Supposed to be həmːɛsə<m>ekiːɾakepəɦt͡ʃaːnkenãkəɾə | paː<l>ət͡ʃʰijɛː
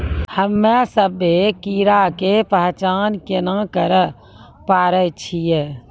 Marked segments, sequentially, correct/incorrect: incorrect, incorrect

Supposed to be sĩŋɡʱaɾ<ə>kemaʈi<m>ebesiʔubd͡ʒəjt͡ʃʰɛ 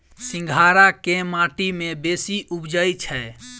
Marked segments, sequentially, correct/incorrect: incorrect, correct

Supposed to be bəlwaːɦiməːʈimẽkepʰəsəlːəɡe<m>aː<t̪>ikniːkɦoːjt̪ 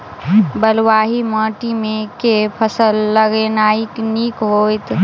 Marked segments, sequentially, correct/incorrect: incorrect, incorrect

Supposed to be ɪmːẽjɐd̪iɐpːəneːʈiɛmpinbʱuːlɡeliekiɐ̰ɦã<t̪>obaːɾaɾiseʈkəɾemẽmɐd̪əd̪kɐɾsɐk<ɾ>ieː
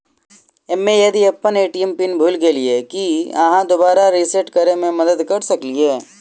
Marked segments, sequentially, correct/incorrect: incorrect, incorrect

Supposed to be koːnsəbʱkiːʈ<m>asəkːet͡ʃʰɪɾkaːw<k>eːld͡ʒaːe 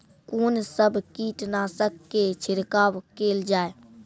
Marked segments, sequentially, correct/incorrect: incorrect, correct

